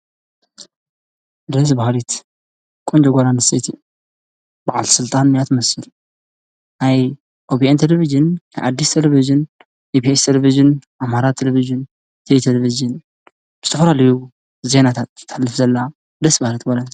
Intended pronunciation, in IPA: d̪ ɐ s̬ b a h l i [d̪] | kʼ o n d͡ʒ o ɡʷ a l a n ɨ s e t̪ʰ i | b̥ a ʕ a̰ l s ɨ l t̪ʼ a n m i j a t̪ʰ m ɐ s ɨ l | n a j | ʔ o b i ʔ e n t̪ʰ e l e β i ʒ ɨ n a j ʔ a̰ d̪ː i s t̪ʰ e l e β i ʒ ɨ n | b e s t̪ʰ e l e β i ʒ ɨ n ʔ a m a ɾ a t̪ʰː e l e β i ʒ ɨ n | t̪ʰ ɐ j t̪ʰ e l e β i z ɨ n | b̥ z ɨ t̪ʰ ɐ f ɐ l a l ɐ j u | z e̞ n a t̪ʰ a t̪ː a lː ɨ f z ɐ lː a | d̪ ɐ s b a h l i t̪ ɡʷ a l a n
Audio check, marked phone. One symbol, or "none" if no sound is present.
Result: t̪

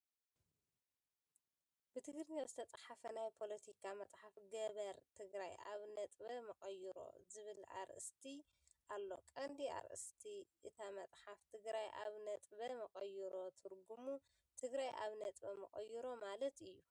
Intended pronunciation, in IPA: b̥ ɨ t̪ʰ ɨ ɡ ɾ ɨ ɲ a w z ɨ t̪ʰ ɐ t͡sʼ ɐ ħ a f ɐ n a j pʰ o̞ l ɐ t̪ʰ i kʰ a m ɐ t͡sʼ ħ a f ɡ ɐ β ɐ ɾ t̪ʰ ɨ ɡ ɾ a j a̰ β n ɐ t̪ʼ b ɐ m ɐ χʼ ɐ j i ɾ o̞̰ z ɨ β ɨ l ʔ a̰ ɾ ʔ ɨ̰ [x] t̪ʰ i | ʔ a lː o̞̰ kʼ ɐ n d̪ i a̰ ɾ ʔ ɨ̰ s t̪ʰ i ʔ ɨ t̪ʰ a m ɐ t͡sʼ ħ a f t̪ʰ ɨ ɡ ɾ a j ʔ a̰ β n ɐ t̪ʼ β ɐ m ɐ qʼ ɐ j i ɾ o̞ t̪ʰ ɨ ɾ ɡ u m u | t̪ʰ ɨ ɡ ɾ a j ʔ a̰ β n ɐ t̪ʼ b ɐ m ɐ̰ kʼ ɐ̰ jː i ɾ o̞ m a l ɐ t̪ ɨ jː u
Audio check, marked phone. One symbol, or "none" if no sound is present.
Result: s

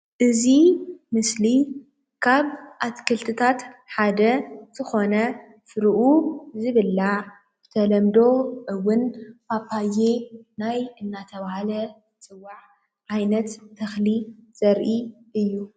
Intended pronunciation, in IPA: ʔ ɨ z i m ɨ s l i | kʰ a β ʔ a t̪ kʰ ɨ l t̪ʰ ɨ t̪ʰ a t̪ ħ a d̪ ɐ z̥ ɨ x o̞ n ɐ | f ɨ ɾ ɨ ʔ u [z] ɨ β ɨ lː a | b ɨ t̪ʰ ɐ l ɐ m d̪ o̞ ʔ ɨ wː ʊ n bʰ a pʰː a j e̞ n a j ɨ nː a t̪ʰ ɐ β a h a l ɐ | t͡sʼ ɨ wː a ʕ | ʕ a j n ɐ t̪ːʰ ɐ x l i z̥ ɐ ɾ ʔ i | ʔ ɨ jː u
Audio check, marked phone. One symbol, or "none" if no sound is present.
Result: z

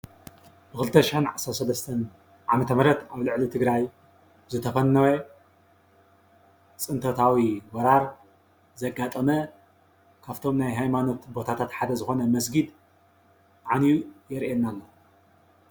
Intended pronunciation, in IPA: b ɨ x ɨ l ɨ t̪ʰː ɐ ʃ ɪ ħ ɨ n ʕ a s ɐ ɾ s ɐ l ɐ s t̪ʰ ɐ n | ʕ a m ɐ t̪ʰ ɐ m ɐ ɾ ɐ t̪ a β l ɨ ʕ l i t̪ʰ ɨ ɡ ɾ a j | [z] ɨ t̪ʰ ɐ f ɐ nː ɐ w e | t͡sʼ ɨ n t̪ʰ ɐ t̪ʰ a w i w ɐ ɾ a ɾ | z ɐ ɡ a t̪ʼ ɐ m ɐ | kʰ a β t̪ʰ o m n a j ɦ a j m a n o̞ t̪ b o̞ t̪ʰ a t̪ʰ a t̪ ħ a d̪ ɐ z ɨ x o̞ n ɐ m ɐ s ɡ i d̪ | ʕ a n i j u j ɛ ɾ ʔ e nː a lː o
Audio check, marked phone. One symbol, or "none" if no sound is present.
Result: z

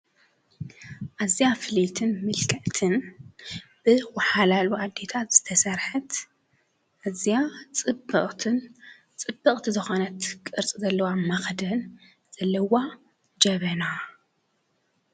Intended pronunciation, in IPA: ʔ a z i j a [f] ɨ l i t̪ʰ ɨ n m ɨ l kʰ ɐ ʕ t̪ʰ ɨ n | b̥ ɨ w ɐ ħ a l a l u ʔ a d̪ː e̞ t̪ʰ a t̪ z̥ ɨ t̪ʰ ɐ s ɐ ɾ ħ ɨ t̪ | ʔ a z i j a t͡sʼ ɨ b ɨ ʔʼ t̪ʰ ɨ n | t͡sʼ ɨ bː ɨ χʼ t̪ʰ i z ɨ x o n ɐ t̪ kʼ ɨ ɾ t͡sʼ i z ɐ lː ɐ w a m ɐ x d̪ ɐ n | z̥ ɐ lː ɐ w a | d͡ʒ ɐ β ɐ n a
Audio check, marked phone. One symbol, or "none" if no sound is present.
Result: f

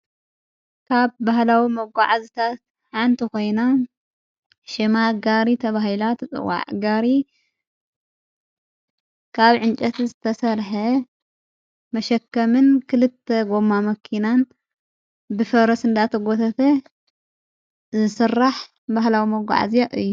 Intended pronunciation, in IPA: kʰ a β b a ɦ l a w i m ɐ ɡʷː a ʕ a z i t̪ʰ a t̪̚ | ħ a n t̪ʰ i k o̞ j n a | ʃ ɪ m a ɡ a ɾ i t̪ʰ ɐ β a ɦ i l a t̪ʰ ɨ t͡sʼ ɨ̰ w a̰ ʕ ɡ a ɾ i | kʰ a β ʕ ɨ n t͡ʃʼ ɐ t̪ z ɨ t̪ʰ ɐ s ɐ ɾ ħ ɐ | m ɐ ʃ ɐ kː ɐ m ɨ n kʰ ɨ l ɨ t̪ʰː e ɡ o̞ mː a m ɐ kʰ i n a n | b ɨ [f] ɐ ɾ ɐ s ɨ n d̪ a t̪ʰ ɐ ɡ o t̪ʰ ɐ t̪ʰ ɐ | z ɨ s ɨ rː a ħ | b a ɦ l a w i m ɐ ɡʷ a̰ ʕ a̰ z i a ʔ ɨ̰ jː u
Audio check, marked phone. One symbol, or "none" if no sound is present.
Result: f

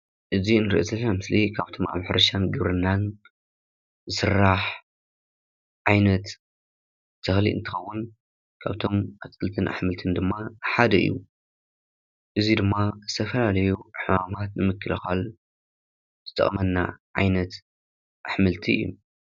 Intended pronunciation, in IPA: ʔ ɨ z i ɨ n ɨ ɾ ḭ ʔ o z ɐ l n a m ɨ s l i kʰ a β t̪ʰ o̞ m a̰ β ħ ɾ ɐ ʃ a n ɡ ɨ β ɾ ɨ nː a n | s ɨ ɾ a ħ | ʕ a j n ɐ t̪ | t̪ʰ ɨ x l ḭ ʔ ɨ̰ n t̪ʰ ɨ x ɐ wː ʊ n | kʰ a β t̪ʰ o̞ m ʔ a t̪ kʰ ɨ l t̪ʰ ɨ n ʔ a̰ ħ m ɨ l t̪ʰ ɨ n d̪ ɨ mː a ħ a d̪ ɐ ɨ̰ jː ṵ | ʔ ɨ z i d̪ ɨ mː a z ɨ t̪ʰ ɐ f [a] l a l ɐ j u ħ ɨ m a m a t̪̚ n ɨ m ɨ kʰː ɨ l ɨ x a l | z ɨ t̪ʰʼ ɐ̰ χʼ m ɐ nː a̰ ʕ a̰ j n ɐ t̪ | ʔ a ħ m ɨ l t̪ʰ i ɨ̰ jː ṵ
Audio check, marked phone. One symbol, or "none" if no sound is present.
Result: ɐ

